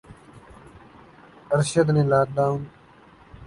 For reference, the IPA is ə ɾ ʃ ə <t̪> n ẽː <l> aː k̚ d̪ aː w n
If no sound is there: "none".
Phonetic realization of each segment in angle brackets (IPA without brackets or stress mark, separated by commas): d̪, l